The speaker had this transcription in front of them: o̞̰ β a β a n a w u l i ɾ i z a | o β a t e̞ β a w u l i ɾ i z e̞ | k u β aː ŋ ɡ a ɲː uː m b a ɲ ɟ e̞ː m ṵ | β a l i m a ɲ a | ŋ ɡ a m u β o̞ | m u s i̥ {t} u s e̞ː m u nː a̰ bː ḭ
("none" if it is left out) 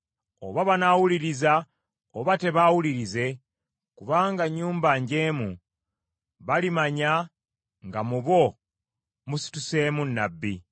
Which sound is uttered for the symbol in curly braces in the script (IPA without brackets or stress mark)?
t